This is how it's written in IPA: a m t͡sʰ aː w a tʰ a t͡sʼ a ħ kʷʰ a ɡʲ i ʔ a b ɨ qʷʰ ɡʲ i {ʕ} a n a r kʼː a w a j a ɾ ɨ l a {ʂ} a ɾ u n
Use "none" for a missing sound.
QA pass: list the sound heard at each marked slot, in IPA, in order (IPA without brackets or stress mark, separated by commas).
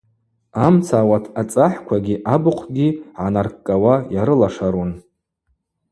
ʕ, ʂ